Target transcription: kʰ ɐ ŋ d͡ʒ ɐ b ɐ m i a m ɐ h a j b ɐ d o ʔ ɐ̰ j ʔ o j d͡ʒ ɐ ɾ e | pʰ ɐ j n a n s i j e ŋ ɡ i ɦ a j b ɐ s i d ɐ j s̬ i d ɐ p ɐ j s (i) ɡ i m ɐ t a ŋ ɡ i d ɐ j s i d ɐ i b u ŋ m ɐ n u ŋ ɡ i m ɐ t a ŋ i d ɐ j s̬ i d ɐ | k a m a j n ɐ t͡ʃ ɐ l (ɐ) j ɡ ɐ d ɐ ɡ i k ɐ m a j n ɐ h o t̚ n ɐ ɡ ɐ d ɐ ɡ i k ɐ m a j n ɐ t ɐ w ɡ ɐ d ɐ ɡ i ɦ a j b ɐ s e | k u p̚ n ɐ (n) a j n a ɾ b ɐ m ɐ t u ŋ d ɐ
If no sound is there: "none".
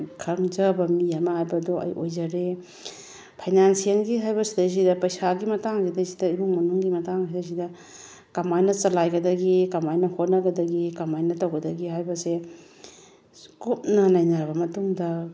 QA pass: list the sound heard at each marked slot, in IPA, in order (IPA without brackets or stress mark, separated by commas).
a, a, n